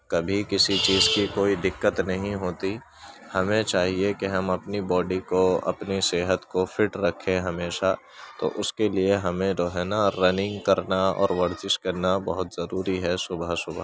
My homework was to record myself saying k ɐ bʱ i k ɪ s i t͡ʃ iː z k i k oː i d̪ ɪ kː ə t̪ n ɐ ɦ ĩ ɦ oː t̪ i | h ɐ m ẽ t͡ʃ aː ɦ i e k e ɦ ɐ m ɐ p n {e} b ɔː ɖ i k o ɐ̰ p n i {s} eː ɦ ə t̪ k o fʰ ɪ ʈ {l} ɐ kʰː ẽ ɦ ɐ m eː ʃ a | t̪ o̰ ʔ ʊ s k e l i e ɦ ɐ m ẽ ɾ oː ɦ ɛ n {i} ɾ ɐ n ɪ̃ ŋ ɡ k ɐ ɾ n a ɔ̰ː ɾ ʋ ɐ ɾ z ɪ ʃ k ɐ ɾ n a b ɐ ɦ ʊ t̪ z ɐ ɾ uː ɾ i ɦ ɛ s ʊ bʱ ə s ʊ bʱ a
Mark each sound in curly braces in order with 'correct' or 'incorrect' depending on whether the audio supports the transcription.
incorrect: i, correct, incorrect: ɾ, incorrect: a

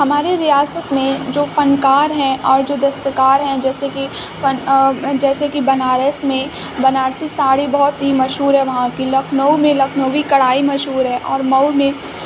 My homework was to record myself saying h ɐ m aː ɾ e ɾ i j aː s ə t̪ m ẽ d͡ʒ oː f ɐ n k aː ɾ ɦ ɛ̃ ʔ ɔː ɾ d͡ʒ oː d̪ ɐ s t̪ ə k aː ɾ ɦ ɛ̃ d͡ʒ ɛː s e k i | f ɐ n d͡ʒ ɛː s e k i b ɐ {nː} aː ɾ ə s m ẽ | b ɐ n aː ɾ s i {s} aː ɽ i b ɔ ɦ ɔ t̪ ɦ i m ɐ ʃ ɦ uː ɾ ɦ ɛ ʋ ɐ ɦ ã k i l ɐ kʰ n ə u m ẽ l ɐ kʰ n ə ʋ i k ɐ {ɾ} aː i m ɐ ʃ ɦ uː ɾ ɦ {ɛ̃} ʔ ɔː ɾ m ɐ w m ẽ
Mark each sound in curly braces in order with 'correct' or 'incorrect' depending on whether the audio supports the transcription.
incorrect: n, correct, incorrect: ɽ, incorrect: ɛ

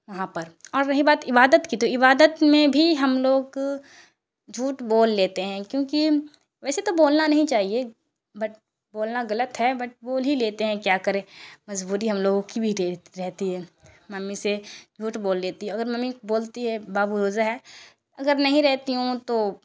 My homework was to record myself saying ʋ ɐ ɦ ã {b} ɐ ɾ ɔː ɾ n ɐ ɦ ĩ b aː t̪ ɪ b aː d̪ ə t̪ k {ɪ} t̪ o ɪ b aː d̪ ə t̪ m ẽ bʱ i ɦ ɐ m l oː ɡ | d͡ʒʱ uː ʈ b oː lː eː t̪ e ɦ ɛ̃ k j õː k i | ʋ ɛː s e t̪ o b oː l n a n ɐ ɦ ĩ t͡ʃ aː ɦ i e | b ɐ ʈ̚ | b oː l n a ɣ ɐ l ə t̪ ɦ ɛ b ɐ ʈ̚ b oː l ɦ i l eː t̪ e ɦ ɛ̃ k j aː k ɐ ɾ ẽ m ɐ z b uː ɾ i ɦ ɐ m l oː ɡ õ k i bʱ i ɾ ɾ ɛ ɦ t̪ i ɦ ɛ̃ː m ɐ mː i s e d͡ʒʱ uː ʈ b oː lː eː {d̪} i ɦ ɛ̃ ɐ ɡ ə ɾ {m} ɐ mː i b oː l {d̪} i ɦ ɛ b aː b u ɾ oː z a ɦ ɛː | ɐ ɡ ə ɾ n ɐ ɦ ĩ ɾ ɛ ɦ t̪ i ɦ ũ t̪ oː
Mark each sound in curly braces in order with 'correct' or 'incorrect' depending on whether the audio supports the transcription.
incorrect: p, incorrect: i, incorrect: t̪, correct, incorrect: t̪

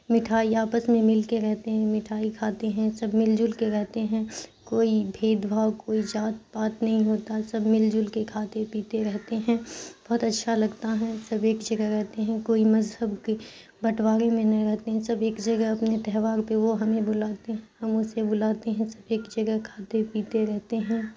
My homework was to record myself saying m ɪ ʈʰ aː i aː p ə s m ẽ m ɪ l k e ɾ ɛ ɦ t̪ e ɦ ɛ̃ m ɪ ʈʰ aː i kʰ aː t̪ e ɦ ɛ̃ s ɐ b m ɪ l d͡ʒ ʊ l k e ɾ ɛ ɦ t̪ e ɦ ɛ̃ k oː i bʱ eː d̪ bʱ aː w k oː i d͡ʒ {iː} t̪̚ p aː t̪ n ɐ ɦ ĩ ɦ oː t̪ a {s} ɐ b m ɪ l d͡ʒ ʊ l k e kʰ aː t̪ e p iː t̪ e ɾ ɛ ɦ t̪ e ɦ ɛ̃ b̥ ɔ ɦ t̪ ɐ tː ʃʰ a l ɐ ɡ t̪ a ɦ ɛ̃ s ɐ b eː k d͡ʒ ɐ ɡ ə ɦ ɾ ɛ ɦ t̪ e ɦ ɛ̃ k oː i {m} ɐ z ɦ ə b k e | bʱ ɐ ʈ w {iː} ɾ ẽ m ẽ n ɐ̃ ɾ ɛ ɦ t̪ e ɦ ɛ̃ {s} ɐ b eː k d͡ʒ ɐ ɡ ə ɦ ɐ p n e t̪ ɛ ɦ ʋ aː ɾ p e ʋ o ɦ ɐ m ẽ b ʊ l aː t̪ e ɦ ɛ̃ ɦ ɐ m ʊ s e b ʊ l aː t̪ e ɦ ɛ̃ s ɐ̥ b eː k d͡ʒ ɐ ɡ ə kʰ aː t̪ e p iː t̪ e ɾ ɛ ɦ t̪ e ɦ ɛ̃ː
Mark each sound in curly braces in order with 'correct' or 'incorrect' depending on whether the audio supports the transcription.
incorrect: aː, correct, correct, incorrect: aː, correct

